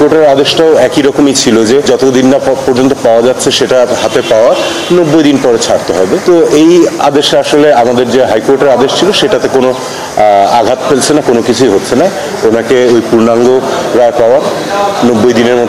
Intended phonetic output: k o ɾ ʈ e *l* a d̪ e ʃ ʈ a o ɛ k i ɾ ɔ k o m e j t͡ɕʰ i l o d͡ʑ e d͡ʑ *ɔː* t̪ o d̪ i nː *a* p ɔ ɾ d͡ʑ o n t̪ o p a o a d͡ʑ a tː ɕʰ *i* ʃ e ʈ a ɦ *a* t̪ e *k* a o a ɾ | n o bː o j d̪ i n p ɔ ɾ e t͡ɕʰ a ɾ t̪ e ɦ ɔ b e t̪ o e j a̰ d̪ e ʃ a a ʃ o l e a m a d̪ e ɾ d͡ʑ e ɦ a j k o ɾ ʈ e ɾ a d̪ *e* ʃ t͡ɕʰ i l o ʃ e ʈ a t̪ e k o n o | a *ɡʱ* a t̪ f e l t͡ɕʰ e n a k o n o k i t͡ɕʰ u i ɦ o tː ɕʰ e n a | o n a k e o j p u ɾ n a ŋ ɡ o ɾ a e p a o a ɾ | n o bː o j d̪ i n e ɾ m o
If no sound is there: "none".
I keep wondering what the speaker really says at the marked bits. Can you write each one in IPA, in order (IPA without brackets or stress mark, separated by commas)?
ɾ, ɔ, a, e, a, p, e, ɡʱ